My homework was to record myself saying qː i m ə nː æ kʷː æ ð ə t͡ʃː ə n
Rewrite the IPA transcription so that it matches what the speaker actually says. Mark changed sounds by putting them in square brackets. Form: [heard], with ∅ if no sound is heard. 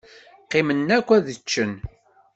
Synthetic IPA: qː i m ə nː æ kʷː æ ð ə t͡ʃː ə n